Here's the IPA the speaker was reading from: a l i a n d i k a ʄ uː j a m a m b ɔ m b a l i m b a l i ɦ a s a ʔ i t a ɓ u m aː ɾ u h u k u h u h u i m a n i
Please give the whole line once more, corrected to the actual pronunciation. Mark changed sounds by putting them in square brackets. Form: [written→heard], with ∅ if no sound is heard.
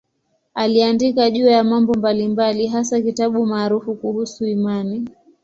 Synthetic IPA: a l i a n d i k a ʄ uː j a m a m b ɔ m b a l i m b a l i ɦ a s a [ʔ→k] i t a ɓ u m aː ɾ u [h→f] u k u h u [h→s] u i m a n i